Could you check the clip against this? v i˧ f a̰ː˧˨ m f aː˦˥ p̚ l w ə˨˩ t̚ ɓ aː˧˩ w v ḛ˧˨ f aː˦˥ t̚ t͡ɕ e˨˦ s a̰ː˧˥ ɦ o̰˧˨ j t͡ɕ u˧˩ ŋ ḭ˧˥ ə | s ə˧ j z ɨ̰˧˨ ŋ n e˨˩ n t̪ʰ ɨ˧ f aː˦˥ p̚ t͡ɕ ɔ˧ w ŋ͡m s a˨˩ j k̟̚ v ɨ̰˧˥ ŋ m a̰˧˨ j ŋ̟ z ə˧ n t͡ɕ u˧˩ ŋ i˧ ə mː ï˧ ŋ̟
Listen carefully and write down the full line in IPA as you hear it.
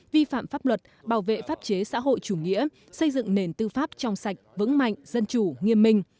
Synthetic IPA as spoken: v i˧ f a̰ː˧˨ m f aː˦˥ p̚ l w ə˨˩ t̚ ɓ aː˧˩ w v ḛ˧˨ f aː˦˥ p̚ t͡ɕ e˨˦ s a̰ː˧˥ ɦ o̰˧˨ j t͡ɕ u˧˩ ŋ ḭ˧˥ ə | s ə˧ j z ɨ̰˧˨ ŋ n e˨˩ n t̪ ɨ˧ f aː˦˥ p̚ t͡ɕ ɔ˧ w ŋ͡m s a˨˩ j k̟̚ v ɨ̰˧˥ ŋ m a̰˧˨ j ŋ̟ z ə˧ n t͡ɕ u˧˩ ŋ i˧ ə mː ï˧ ŋ̟